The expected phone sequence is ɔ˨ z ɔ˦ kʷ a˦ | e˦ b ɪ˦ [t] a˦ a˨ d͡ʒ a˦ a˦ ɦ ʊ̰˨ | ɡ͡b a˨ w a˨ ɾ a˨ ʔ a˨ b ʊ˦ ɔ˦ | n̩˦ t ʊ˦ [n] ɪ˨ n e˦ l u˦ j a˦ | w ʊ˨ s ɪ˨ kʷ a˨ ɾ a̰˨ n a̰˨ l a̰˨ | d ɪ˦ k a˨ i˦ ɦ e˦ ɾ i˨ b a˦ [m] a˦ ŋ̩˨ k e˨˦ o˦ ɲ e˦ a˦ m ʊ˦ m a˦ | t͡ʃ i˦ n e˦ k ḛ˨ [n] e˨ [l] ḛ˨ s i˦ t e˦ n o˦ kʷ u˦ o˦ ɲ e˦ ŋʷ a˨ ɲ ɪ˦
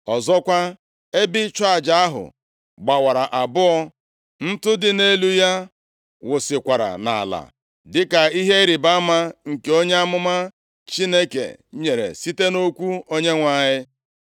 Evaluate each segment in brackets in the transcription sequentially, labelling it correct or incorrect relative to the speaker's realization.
incorrect: t͡ʃ, incorrect: d, correct, incorrect: ɲ, incorrect: ɾ

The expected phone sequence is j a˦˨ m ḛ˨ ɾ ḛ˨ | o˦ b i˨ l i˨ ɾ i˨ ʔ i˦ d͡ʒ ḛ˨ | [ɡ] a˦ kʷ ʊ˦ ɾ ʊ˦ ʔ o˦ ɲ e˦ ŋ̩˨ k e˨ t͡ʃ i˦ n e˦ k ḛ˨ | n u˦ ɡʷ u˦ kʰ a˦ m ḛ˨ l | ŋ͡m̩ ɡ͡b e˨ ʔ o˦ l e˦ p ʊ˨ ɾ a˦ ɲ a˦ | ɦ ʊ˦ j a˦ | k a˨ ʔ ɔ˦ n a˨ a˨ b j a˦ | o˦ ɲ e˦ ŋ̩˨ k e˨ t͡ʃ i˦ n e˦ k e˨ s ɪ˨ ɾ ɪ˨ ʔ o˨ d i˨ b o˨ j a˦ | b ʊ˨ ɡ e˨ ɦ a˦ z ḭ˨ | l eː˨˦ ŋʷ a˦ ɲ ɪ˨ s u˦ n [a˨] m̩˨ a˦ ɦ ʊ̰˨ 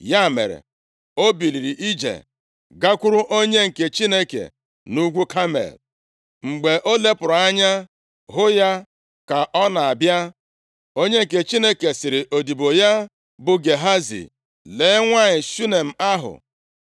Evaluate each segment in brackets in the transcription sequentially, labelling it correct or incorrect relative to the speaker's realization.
correct, incorrect: e˨

